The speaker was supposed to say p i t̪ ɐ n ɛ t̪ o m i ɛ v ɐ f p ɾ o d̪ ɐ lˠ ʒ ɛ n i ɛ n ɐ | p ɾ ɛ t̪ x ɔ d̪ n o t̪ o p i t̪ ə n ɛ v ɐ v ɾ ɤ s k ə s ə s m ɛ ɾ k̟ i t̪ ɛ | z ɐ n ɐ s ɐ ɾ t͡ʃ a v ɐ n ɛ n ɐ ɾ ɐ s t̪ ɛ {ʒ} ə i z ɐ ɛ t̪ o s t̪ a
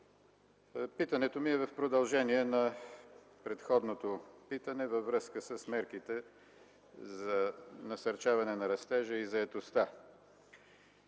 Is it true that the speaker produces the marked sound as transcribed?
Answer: yes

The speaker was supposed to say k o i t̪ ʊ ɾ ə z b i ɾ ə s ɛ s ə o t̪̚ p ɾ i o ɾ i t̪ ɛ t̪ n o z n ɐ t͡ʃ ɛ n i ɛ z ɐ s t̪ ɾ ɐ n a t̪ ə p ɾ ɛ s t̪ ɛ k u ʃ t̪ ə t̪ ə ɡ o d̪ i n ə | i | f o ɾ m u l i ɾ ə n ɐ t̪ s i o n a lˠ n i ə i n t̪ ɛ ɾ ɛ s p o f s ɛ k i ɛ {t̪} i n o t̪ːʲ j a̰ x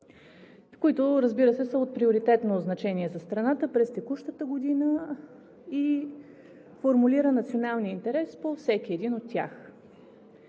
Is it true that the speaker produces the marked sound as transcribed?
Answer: no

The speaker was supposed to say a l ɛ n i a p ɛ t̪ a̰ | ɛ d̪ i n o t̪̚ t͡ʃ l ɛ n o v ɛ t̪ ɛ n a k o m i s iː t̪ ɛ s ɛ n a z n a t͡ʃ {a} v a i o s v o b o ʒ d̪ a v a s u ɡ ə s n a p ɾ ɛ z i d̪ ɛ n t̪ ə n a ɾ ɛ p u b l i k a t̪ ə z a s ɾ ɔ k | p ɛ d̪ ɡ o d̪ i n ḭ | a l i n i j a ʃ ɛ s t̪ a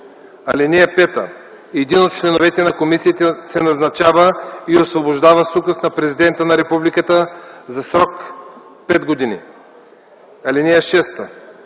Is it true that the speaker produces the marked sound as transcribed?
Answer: yes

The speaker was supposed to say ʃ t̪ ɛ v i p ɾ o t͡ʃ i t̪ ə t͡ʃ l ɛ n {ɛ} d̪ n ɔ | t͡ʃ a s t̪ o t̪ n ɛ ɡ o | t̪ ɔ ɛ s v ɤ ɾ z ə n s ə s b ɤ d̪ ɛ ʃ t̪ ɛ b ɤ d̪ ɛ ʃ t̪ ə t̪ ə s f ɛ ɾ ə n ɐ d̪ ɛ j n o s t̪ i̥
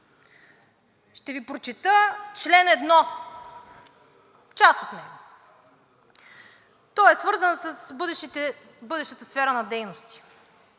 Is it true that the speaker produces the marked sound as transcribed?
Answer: yes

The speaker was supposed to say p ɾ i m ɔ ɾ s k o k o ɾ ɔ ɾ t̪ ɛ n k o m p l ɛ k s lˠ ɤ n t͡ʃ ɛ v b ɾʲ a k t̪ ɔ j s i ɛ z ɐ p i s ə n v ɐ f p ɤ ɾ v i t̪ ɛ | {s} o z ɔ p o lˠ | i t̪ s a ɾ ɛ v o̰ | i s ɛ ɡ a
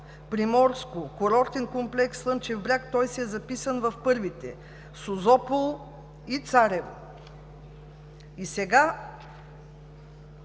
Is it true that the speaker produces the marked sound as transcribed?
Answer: yes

